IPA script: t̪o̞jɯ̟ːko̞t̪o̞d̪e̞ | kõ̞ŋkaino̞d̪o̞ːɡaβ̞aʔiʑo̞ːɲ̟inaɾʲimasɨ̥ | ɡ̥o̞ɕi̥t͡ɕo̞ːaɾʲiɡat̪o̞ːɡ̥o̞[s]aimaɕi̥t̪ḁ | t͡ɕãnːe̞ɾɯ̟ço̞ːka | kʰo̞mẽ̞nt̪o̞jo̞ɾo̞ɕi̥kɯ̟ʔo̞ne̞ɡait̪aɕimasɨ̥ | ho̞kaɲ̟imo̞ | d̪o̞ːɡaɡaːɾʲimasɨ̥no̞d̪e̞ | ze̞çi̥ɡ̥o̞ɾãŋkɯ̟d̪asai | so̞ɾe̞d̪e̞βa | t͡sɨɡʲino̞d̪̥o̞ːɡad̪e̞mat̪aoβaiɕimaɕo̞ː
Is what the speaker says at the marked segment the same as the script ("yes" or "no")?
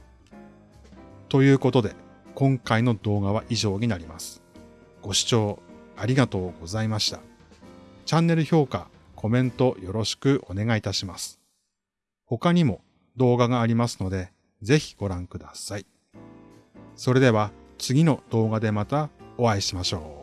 no